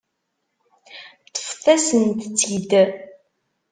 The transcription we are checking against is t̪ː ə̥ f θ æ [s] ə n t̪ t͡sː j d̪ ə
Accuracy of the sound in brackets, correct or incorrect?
correct